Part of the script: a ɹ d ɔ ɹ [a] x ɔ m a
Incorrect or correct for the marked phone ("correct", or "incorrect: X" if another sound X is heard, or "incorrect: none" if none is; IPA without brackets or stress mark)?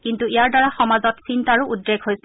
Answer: correct